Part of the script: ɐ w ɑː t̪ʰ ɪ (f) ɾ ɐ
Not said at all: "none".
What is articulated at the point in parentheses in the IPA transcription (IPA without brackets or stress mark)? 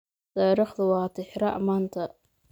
ħ